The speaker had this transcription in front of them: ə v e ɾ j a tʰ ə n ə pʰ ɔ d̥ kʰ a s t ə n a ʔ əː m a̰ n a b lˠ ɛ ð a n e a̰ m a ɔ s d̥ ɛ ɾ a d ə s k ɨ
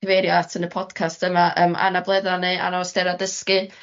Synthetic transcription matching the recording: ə v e ɾ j a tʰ ə n ə pʰ ɔ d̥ kʰ a s t ə m a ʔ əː m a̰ n a b lˠ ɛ ð a n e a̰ n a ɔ s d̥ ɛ ɾ a d ə s k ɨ